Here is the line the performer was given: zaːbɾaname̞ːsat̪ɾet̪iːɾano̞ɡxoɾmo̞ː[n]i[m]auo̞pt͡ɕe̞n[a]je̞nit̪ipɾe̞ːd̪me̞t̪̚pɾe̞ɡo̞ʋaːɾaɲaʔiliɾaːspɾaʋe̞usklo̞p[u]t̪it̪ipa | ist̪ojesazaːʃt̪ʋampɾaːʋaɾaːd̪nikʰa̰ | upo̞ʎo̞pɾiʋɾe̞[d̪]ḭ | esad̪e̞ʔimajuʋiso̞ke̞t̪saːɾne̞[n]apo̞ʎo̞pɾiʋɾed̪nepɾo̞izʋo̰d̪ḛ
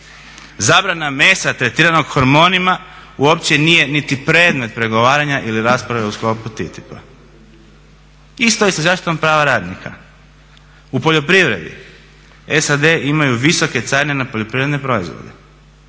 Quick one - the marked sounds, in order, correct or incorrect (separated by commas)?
correct, correct, incorrect, correct, correct, correct